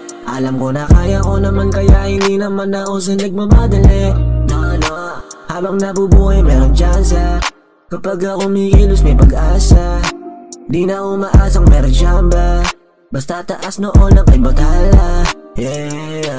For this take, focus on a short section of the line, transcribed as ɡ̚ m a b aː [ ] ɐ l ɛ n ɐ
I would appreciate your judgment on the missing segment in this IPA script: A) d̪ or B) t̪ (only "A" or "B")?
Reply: A